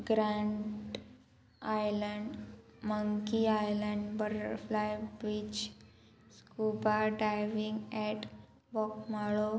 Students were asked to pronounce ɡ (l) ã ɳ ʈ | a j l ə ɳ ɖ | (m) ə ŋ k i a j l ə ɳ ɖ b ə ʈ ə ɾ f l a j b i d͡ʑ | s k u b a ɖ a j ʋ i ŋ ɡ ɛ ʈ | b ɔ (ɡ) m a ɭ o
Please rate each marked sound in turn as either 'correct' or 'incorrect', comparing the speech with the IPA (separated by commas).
incorrect, correct, incorrect